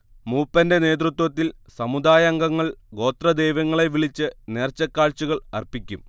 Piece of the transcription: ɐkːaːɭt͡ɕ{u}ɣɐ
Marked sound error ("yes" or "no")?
no